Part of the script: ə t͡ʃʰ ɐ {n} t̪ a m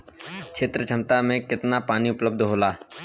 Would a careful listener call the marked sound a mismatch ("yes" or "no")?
yes